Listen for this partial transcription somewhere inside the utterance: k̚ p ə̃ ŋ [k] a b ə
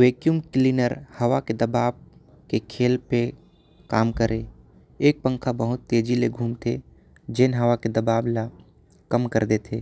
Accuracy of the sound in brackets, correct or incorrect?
incorrect